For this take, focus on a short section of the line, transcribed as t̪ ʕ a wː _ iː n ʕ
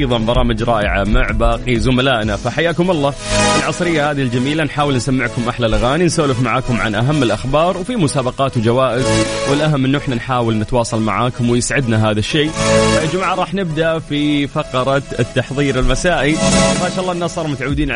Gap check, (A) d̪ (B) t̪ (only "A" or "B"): A